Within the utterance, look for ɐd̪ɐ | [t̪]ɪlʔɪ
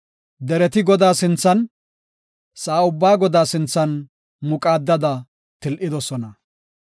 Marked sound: correct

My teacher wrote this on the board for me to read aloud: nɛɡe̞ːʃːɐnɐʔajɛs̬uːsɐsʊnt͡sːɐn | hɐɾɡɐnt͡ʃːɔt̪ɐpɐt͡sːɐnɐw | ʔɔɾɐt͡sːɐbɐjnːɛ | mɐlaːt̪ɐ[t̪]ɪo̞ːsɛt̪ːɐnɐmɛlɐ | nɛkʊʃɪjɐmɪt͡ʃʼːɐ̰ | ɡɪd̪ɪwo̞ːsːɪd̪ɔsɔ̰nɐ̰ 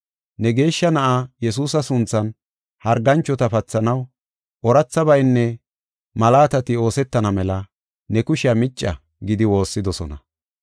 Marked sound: correct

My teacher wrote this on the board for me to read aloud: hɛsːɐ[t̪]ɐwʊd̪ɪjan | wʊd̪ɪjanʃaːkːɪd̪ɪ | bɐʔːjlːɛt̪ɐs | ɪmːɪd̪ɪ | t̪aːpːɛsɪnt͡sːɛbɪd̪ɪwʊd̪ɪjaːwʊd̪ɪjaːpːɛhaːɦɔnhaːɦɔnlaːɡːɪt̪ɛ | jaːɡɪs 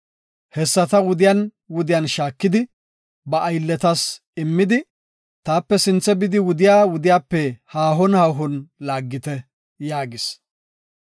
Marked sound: correct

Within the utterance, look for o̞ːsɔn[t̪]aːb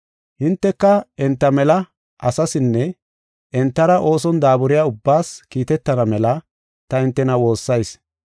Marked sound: incorrect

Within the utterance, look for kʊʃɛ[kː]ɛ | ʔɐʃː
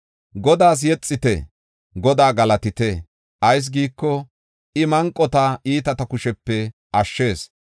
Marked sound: incorrect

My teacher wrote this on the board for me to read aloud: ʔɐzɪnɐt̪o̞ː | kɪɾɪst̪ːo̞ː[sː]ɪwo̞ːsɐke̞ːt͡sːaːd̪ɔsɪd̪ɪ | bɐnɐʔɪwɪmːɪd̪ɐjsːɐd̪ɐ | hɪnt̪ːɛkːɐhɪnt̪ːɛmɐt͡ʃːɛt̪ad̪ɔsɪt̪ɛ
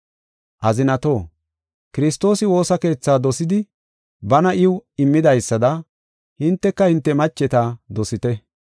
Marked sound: incorrect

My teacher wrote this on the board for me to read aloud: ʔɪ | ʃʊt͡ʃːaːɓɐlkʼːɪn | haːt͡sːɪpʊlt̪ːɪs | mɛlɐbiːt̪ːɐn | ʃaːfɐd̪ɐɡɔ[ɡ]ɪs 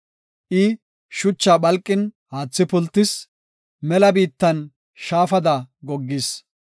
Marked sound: incorrect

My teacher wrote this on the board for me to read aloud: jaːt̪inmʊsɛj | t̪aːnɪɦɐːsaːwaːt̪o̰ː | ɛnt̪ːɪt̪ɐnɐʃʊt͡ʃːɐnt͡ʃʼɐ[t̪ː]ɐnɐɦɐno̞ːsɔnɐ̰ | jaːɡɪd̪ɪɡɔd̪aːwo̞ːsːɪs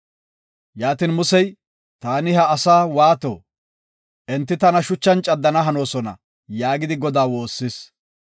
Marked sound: incorrect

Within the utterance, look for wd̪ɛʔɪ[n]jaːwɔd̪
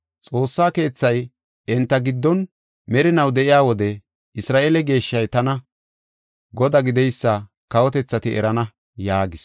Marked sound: incorrect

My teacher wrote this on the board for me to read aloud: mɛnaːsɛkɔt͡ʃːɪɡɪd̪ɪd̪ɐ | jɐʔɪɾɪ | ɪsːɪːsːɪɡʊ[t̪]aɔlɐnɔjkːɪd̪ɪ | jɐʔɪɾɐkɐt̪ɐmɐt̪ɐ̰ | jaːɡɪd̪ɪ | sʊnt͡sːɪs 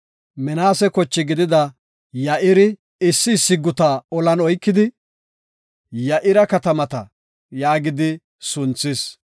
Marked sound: correct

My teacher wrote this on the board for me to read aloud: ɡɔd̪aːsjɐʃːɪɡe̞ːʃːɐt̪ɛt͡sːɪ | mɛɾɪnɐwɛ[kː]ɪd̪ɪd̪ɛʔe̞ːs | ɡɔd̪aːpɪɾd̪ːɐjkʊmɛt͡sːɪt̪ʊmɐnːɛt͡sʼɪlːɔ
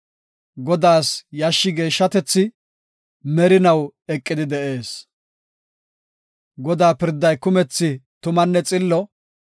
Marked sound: incorrect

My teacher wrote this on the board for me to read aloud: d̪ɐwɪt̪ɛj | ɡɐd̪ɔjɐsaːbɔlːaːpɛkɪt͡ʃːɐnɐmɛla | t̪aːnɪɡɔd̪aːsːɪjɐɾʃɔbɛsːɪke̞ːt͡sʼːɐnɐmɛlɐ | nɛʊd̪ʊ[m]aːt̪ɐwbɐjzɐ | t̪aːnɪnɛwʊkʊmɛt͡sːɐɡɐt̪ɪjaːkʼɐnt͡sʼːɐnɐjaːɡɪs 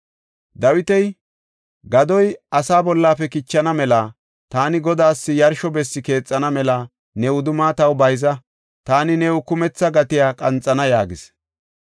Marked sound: correct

